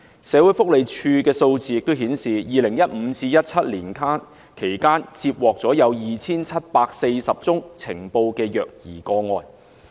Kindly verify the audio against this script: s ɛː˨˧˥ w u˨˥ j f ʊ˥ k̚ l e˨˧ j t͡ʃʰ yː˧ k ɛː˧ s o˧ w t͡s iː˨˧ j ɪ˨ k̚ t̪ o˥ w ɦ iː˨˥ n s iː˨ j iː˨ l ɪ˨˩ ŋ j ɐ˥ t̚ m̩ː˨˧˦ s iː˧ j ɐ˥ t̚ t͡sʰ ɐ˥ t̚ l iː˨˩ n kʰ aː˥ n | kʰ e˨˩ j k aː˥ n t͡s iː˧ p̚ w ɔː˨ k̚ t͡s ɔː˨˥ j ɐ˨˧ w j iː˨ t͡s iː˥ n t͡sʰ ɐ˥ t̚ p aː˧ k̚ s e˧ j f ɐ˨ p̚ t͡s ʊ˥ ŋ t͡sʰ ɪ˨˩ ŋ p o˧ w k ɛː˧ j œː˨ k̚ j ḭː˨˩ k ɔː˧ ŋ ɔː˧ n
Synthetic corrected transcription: s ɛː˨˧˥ w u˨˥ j f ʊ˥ k̚ l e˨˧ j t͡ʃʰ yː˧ k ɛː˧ s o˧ w t͡s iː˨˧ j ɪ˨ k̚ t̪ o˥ w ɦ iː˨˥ n s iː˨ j iː˨ l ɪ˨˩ ŋ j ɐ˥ t̚ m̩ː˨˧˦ t͡s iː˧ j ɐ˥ t̚ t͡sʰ ɐ˥ t̚ l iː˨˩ n kʰ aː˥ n | kʰ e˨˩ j k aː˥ n t͡s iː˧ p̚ w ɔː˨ k̚ t͡s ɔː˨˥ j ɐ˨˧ w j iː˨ t͡sʰ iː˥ n t͡sʰ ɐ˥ t̚ p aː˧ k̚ s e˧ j s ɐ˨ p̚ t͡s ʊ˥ ŋ t͡sʰ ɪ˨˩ ŋ p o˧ w k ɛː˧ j œː˨ k̚ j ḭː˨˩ k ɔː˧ ŋ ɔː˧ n